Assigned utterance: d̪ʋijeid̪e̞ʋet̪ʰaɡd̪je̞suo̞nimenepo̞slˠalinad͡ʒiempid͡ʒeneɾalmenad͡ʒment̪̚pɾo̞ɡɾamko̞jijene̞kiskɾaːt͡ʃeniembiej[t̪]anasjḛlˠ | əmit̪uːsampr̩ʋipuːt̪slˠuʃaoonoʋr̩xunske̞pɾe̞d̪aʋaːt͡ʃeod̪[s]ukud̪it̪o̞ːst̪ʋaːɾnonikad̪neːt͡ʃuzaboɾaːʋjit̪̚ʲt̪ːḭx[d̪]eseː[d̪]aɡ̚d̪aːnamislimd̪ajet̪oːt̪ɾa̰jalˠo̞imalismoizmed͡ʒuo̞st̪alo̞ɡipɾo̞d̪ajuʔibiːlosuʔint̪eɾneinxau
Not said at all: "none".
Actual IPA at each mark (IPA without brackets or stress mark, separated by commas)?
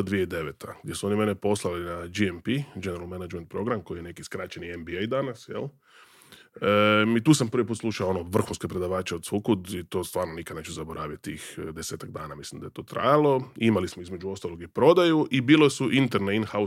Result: d̪, s, d̪, t̪